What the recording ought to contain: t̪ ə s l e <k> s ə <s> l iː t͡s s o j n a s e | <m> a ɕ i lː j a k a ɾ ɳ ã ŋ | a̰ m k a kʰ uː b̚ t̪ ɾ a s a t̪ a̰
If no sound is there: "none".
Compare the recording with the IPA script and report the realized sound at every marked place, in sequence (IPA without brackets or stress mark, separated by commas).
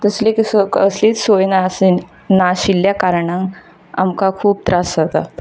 k, s, n